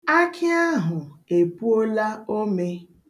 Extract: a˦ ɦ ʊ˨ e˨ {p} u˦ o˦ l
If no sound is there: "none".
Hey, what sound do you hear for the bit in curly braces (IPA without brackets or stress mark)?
p